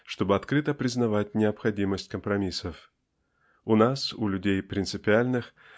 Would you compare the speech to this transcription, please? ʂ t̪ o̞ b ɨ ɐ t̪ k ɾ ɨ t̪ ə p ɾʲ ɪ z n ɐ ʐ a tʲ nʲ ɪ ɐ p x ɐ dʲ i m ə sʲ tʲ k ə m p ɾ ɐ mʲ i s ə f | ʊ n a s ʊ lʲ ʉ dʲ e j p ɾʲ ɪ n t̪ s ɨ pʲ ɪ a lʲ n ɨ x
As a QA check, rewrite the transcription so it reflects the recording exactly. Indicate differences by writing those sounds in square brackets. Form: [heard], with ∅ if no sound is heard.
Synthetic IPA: ʂ t̪ o̞ b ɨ ɐ t̪ k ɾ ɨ t̪ ə p ɾʲ ɪ z n ɐ [v] a tʲ nʲ ɪ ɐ p x ɐ dʲ i m ə sʲ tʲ k ə m p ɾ ɐ mʲ i s ə f | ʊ n a s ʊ lʲ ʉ dʲ e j p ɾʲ ɪ n t̪ s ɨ pʲ ɪ a lʲ n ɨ x